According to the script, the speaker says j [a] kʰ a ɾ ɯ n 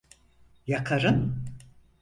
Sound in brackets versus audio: correct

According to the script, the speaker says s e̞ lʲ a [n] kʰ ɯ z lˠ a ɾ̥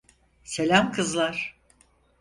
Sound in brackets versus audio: incorrect: m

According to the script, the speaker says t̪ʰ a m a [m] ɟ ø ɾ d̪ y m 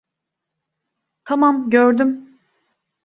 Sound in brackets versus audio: correct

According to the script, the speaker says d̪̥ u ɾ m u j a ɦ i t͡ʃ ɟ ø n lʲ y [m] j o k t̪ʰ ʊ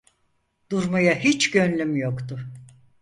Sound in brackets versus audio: correct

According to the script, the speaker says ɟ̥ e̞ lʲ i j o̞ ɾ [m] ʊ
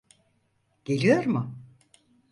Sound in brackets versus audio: correct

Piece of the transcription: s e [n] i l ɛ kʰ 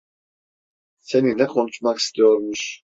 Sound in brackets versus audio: correct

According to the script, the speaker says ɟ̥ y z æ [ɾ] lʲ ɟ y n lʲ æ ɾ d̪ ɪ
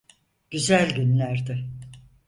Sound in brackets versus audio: incorrect: none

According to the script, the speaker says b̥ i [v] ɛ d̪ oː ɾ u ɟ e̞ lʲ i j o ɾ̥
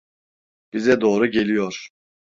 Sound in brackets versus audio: incorrect: z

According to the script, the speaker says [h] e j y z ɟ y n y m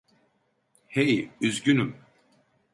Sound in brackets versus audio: correct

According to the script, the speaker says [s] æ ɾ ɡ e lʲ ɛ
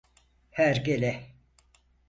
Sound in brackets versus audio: incorrect: h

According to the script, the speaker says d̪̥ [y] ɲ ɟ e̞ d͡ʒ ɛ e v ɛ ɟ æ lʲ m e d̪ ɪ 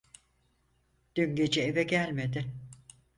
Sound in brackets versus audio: correct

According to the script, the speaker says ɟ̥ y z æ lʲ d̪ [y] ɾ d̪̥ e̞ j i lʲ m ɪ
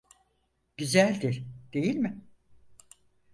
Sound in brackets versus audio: incorrect: i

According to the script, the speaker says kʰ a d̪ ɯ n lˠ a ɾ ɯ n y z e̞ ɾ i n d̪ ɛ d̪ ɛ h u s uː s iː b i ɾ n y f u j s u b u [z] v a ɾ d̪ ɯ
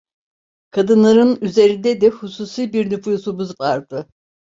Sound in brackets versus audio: correct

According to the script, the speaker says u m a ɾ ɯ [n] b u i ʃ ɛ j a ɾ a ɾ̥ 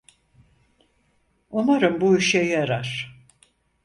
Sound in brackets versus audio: incorrect: m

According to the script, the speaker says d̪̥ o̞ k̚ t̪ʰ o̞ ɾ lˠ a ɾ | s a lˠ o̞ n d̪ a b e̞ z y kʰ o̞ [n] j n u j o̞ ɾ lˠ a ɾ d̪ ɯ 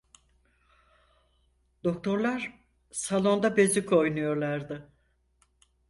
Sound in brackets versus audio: incorrect: none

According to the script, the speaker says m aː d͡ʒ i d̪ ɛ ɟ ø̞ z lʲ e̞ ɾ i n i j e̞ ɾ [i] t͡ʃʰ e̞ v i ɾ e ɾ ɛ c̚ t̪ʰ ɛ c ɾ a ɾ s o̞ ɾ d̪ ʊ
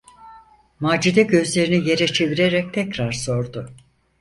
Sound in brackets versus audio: incorrect: ɛ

